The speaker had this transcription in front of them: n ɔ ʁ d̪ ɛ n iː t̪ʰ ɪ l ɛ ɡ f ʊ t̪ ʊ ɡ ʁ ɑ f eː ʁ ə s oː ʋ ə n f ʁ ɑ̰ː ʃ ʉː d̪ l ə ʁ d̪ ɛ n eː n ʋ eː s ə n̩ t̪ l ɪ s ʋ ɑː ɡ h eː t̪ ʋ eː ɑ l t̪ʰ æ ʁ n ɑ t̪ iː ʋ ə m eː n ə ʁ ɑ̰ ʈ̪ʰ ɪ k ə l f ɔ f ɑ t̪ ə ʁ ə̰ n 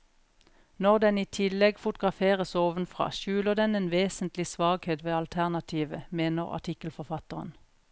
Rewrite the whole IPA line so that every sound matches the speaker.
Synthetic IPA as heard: n ɔ ʁ d̪ ɛ n iː t̪ʰ ɪ l ɛ ɡ f ʊ t̪ ʊ ɡ ʁ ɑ f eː ʁ ə s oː ʋ ə n f ʁ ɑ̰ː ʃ ʉː l ə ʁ d̪ ɛ n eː n ʋ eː s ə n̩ t̪ l ɪ s ʋ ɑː ɡ h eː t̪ ʋ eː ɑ l t̪ʰ æ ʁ n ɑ t̪ʰ iː ʋ ə m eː n ə ʁ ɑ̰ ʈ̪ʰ ɪ k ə l f ɔ f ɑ t̪ ə ʁ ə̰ n